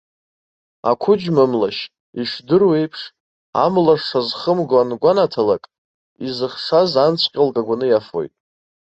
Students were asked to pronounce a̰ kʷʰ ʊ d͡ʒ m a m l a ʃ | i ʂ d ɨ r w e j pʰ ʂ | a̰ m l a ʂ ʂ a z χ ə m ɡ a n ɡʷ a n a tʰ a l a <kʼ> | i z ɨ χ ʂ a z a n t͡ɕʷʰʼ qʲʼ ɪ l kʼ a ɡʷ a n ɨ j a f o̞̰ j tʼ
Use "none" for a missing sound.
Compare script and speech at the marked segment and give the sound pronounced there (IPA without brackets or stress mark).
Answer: kʼ